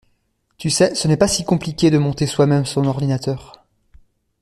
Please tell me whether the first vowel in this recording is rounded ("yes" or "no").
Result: yes